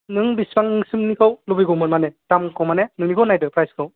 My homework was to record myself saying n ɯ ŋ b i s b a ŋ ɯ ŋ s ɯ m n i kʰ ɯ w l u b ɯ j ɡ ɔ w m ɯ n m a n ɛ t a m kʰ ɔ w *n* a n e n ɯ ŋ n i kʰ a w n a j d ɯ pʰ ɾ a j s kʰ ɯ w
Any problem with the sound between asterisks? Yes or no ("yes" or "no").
yes